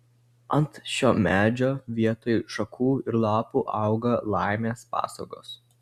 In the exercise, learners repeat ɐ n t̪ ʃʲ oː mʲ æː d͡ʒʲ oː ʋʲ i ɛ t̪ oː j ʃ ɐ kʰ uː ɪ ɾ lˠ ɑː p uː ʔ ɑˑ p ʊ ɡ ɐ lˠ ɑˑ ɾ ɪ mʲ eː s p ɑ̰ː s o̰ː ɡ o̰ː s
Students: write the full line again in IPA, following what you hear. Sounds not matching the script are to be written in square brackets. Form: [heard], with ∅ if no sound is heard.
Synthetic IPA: ɐ n t̪ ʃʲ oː mʲ æː d͡ʒʲ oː ʋʲ i ɛ t̪ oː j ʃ ɐ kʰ uː ɪ ɾ lˠ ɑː p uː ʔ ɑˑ [∅] ʊ ɡ ɐ lˠ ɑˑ [∅] ɪ mʲ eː s p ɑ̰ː s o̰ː ɡ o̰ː s